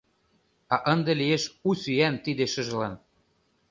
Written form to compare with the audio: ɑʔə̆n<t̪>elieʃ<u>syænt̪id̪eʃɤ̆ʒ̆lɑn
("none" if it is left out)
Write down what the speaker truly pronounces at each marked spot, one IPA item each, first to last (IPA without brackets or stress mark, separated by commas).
d̪, u